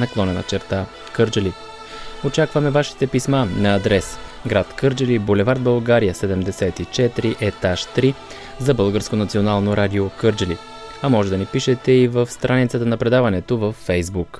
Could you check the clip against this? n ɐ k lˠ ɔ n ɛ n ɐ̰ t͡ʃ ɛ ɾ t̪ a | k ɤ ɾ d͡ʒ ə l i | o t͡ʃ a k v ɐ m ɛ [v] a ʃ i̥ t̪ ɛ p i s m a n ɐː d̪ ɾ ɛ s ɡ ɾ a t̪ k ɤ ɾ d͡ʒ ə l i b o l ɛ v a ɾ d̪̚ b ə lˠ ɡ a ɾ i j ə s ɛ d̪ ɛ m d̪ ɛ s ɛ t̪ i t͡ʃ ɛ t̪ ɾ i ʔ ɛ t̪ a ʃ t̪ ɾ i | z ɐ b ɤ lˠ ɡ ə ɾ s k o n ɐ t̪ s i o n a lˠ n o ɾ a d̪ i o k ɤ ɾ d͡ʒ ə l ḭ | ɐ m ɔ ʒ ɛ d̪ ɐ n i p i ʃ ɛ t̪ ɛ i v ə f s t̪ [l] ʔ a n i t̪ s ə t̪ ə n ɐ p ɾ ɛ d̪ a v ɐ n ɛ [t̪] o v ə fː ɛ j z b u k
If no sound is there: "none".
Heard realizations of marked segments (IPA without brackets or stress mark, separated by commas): v, ɾ, t̪